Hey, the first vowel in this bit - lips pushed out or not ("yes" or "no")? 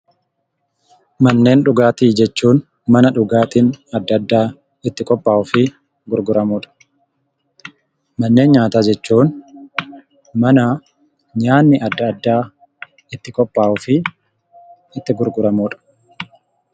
no